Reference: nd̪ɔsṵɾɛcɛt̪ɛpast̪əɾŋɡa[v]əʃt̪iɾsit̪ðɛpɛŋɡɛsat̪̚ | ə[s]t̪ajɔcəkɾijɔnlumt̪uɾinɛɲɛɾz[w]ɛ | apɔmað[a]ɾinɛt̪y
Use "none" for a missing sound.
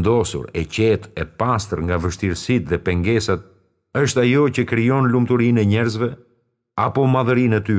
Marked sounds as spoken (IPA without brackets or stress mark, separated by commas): v, ʃ, v, ə